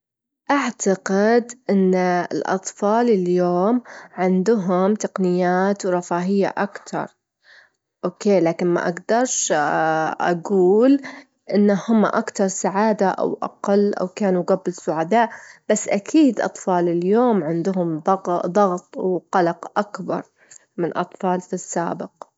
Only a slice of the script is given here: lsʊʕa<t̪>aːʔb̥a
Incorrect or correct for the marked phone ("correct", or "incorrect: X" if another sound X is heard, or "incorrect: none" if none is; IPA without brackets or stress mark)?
incorrect: d̪